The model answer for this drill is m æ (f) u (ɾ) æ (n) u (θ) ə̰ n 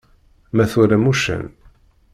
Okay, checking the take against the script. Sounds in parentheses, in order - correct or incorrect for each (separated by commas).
incorrect, correct, incorrect, incorrect